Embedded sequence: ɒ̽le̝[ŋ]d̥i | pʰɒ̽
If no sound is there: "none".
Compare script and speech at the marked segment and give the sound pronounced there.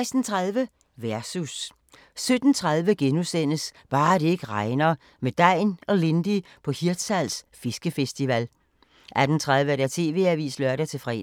n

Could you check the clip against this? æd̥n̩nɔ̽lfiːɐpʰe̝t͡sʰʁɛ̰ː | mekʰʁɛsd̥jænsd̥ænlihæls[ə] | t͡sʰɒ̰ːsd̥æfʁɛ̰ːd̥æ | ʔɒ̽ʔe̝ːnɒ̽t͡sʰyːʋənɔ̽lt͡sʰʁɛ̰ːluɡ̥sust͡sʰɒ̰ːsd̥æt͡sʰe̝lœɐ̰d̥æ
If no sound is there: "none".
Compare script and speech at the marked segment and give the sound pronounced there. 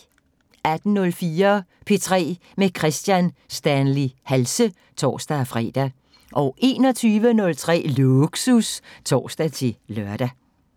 ə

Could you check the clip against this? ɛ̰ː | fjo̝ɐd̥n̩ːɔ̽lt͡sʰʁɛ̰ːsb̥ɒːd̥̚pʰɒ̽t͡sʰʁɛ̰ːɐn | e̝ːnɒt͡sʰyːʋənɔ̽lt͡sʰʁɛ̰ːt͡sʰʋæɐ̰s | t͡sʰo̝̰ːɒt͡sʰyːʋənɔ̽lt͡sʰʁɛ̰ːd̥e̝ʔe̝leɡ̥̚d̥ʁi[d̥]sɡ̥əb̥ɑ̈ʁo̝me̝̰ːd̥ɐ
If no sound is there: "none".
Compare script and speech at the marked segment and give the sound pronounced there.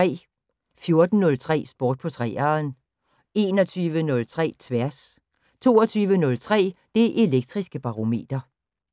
none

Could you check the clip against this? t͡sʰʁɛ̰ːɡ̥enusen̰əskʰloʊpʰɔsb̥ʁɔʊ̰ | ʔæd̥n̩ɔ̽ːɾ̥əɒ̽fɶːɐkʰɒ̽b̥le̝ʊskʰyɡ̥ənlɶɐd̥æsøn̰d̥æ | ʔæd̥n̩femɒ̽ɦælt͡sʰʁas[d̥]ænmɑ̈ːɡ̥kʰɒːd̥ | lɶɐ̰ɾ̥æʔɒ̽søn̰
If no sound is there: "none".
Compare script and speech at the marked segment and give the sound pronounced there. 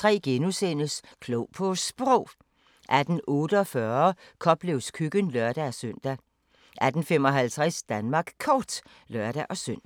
d̥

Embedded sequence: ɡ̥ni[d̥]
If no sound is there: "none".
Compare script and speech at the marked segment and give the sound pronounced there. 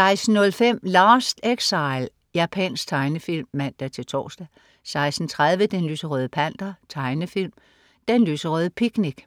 ɡ̥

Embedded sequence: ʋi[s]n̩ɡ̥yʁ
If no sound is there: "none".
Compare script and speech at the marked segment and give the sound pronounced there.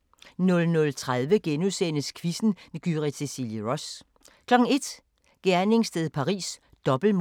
s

